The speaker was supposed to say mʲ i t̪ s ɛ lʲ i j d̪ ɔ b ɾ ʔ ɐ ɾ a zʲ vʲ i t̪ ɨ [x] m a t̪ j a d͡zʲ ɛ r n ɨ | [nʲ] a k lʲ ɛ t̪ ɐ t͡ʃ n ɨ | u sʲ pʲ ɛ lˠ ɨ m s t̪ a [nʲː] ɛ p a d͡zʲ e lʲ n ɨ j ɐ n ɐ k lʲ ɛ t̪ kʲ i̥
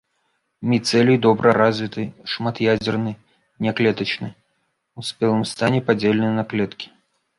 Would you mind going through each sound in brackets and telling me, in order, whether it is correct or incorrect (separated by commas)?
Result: incorrect, correct, incorrect